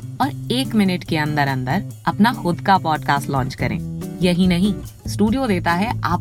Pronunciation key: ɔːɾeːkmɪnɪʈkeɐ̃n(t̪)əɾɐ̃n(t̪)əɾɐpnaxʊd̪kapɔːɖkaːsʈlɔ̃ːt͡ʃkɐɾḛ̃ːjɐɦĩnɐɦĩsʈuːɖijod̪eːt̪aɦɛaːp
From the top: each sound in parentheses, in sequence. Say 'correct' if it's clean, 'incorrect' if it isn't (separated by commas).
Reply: incorrect, incorrect